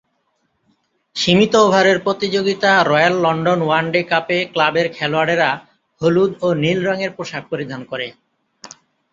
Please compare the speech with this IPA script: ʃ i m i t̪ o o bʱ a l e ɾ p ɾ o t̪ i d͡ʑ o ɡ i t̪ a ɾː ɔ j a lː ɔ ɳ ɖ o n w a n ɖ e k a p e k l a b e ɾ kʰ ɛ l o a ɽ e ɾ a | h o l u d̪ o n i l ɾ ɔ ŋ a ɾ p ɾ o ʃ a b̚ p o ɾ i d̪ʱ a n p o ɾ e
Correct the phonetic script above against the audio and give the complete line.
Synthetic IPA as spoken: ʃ i m i t̪ o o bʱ a ɾ e ɾ p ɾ o t̪ i d͡ʑ o ɡ i t̪ a ɾ ɔ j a lː ɔ ɳ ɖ o n w a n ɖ e k a p e k l a b e ɾ kʰ ɛ l o a ɽ e ɾ a | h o l u d̪ o n i l ɾ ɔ ŋ e ɾ p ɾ o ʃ a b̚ p o ɾ i d̪ʱ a n k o ɾ e